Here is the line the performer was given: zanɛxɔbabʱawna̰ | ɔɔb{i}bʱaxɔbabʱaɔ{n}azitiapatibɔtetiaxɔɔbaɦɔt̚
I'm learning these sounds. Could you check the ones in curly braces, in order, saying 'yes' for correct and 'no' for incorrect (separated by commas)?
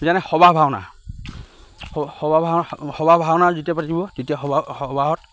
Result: no, yes